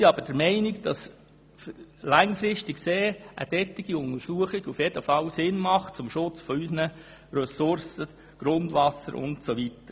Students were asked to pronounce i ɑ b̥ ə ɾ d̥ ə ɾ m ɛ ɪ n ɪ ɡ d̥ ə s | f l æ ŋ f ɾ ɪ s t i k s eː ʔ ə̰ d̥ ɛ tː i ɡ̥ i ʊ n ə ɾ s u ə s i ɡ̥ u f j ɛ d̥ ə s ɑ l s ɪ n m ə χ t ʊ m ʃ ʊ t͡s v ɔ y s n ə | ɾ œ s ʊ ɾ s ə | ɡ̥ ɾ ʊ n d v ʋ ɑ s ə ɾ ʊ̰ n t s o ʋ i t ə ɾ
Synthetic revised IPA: i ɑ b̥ ə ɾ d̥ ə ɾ m ɛ ɪ n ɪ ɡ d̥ ɑ s | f l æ ŋ f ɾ ɪ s t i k s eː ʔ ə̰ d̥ ɛ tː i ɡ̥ i ʊ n ə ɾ s u ə χ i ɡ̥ u f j ɛ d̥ ə f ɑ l s ɪ n m ɑ χ t͡s ʊ m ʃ ʊ t͡s f ɔ y s n ə | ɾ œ s ʊ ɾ s ə | ɡ̥ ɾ ʊ n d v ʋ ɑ s ə ɾ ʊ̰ n t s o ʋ i t ə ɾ